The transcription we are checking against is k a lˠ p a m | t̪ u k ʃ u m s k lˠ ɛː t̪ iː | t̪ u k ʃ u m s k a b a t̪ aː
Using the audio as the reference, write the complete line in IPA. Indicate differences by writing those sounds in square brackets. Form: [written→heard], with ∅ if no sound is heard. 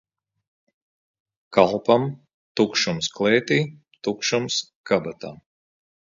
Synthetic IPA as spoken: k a lˠ p a m | t̪ u k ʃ u m s k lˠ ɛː t̪ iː | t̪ u k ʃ u m s k a b a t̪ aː